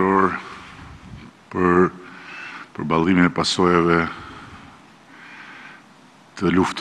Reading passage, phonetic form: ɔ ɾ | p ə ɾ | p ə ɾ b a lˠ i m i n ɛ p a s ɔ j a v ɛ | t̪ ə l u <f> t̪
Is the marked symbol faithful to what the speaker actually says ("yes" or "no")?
yes